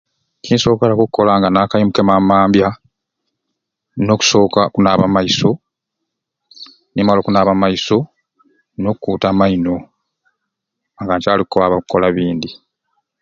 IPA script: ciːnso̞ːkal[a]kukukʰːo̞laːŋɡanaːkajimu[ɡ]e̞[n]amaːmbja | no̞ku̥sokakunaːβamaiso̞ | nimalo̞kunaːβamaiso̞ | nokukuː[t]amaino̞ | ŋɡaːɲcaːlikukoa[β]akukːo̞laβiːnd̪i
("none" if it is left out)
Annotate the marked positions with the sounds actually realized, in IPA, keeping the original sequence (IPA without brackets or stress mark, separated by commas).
a, k, m, t, β